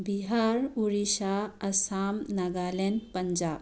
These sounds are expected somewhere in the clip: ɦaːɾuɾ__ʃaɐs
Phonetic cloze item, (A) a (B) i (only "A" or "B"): B